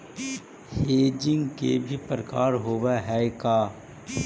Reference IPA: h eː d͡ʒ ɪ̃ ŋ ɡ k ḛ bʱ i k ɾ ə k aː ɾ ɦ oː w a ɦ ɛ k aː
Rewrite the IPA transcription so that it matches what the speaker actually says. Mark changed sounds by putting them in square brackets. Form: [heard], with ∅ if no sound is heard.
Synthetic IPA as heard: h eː d͡ʒ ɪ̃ ŋ ɡ k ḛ bʱ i [p] ɾ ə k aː ɾ ɦ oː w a ɦ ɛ k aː